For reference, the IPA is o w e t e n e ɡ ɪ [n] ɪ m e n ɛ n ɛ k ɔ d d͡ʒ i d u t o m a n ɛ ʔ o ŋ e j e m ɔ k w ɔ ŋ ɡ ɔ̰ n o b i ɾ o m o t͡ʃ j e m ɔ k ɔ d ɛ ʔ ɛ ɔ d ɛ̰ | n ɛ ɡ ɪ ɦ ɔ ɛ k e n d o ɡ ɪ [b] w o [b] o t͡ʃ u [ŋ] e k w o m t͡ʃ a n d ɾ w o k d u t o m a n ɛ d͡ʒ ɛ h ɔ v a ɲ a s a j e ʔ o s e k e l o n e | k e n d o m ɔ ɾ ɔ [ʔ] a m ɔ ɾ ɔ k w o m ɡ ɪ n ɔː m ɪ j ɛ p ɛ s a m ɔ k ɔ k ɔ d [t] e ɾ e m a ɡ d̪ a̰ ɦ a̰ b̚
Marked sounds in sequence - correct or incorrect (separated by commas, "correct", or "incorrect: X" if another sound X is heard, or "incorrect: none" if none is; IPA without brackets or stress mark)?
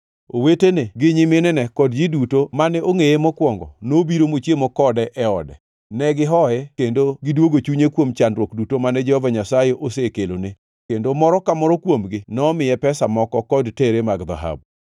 incorrect: ɲ, incorrect: d, incorrect: ɡ, incorrect: ɲ, incorrect: k, correct